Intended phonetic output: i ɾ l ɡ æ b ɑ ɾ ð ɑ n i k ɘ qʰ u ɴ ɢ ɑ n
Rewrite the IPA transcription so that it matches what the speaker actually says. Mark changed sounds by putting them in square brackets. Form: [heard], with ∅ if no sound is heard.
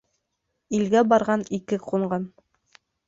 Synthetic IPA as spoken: i [∅] l ɡ æ b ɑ ɾ [ʁ] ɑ n i k ɘ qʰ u ɴ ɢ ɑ n